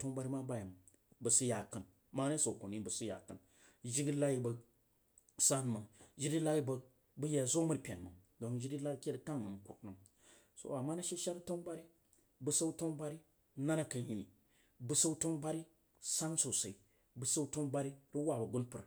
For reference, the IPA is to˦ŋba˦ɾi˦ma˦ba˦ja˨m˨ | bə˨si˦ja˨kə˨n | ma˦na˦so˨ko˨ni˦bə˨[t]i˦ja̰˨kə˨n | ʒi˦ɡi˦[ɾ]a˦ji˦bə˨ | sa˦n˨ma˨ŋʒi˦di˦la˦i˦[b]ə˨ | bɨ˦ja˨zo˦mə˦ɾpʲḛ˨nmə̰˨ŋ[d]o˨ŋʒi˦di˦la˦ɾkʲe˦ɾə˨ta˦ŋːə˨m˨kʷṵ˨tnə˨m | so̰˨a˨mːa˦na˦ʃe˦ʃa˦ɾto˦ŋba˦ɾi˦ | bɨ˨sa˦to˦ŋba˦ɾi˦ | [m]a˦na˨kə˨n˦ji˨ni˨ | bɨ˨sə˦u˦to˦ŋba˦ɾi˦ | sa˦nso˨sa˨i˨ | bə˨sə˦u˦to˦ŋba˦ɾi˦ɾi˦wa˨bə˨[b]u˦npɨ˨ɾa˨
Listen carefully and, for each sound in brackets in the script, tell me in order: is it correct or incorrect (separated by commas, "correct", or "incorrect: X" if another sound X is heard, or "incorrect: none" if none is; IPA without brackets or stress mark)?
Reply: incorrect: s, incorrect: l, correct, correct, incorrect: n, incorrect: ɡ